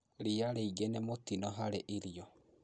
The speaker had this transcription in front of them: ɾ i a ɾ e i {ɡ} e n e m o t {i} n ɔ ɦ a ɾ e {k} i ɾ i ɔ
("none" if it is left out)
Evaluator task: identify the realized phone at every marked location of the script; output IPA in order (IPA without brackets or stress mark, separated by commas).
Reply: ɡ, i, ʔ